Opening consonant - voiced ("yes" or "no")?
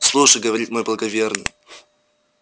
no